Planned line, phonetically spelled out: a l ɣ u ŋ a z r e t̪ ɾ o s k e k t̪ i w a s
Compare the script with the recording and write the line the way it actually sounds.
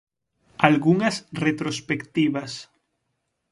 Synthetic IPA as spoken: a l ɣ u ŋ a s r e t̪ ɾ o s p e k t̪ i β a s